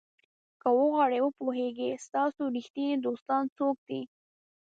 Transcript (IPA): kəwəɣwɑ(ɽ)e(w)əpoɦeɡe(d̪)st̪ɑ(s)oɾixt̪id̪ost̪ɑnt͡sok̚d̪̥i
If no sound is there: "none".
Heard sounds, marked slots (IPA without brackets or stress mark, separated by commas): ɽ, w, none, s